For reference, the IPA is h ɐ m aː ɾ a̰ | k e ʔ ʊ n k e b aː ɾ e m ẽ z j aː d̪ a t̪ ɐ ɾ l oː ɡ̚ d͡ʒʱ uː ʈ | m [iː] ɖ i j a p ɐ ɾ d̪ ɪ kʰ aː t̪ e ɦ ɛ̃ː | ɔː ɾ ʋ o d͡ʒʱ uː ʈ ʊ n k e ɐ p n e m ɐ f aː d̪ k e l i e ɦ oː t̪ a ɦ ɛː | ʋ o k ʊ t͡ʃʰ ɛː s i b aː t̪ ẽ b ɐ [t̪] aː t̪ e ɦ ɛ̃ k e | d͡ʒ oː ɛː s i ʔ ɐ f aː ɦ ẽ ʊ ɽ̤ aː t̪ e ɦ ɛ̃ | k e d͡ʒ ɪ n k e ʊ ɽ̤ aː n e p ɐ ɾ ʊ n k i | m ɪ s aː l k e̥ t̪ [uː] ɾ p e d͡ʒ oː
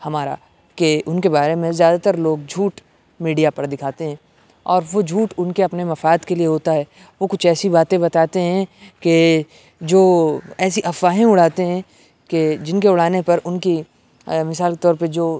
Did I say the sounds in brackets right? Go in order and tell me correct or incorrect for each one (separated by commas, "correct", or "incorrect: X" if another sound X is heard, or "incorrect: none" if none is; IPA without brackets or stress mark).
correct, correct, incorrect: ɔː